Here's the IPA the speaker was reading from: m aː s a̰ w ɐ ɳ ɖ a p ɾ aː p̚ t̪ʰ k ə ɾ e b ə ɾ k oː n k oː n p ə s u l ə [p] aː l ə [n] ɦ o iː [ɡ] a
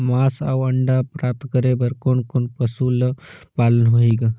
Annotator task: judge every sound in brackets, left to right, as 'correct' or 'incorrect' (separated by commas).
correct, correct, correct